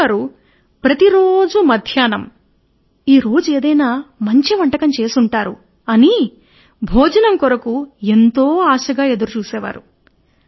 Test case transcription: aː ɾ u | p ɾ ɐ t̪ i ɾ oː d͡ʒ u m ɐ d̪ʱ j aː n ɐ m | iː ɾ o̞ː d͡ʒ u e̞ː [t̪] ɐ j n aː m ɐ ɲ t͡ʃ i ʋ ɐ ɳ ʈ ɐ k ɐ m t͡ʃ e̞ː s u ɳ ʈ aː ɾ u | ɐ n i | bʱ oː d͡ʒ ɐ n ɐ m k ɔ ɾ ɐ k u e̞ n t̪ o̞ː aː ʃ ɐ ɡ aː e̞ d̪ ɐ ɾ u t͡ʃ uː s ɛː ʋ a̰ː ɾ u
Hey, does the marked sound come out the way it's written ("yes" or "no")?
no